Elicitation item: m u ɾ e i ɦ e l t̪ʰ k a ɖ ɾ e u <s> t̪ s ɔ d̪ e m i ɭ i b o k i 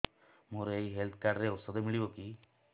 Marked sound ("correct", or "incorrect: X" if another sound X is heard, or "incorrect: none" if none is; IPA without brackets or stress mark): incorrect: none